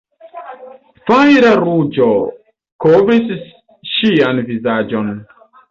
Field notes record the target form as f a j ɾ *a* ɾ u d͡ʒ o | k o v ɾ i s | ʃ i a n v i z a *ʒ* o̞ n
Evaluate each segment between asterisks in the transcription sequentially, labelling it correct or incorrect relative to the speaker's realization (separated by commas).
correct, incorrect